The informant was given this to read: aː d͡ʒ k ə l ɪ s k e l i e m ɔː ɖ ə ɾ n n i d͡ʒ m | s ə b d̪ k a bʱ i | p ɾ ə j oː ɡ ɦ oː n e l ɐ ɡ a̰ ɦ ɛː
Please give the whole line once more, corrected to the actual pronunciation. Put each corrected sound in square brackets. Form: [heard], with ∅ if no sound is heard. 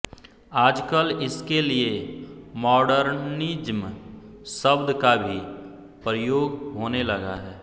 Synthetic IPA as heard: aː d͡ʒ k ə l ɪ s k e l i e m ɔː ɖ ə ɾ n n i d͡ʒ m | s ə b d̪ k a bʱ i | p ɾ ə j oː ɡ ɦ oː n e l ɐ ɡ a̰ ɦ ɛː